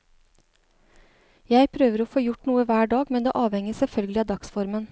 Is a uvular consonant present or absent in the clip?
absent